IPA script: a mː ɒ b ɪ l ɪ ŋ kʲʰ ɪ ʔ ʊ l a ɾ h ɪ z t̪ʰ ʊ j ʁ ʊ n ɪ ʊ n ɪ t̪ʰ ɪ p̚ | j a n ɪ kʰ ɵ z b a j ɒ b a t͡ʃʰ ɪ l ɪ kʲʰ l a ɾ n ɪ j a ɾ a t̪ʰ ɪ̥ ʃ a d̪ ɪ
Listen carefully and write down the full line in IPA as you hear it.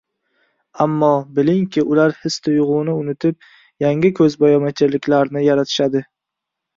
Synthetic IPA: a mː ɒ b ɪ l ɪ ŋ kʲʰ ɪ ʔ ʊ l a ɾ h ɪ s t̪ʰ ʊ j ʁ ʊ n ɪ ʊ n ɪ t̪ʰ ɪ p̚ | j a ŋ ɪ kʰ ɵ z b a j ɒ m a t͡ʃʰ ɪ l ɪ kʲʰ l a ɾ n ɪ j a ɾ a t̪ʰ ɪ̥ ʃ a d̪ ɪ